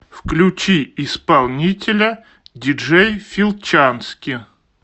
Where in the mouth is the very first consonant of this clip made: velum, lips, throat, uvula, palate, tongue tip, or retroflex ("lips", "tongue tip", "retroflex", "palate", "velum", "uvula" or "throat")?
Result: lips